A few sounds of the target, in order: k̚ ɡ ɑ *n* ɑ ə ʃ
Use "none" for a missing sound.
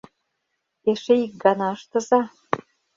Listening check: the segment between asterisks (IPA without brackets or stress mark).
n